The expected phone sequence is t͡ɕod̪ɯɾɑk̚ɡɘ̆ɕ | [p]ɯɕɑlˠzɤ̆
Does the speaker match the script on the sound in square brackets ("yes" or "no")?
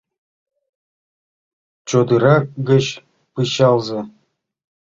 yes